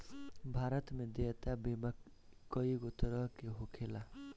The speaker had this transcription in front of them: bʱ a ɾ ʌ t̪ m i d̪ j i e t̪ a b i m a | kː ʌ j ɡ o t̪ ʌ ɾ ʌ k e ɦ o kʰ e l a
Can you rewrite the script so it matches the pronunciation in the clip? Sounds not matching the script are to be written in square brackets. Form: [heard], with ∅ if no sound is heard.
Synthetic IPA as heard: bʱ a ɾ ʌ t̪ m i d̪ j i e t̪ a b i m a | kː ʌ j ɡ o t̪ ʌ ɾ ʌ k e ɦ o kʰ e l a